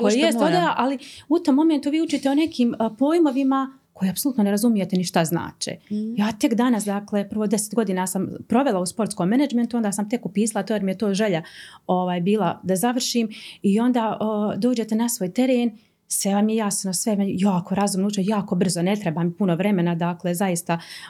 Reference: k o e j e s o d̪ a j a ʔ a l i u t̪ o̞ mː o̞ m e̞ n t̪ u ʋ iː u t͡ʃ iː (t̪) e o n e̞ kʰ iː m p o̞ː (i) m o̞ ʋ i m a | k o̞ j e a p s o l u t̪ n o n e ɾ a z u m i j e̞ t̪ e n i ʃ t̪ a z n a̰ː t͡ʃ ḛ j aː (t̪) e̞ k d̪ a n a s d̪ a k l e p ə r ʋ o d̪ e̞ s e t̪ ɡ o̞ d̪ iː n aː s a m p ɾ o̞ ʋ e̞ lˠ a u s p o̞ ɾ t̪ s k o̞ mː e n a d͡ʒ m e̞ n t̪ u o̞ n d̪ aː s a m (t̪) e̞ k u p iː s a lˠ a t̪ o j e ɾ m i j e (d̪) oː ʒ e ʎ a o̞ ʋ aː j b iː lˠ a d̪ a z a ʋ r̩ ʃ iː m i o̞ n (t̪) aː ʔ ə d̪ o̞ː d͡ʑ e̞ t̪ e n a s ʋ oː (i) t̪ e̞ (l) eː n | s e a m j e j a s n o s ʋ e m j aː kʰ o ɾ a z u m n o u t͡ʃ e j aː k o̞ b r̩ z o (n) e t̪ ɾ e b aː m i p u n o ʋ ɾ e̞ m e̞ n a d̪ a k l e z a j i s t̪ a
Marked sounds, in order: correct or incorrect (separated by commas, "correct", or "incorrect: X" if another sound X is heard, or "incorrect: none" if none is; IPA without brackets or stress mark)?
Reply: correct, incorrect: j, correct, correct, incorrect: t̪, incorrect: d̪, incorrect: j, incorrect: ɾ, correct